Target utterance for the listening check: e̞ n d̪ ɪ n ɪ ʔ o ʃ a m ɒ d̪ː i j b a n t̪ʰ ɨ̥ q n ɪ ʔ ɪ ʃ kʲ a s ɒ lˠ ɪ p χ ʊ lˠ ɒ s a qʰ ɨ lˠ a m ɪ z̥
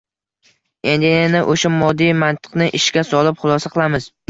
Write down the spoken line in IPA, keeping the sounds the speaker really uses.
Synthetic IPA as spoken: e̞ n d̪ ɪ n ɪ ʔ o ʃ a m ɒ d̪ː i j m a n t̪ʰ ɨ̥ q n ɪ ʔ ɪ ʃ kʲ a s ɒ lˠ ɪ p χ ʊ lˠ ɒ s a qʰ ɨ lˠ a m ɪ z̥